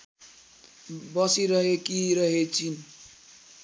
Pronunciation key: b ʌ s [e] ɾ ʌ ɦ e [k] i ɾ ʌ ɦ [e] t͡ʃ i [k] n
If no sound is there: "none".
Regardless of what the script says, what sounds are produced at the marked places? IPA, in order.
i, k, e, none

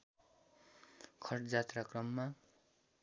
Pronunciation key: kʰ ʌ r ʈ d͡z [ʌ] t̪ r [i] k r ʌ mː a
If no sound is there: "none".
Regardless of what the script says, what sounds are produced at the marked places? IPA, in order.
a, a

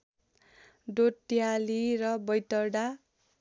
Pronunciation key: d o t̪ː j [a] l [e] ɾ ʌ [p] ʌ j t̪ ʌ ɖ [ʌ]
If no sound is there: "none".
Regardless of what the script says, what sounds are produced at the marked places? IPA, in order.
a, i, b, a

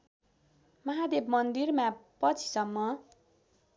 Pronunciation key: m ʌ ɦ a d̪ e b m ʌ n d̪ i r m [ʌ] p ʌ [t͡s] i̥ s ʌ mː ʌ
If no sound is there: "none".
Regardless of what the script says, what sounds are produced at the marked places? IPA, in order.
a, t͡sʰ

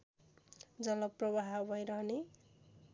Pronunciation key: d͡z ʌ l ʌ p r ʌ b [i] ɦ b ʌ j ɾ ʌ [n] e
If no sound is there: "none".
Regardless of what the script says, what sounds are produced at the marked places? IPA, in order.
a, n

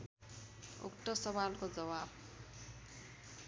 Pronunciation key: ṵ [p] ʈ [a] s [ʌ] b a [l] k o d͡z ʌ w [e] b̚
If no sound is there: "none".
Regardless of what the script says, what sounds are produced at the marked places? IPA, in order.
k, ʌ, ʌ, l, a

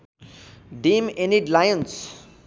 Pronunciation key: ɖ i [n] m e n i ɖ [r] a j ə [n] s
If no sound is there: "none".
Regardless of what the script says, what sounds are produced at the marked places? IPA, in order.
none, l, n

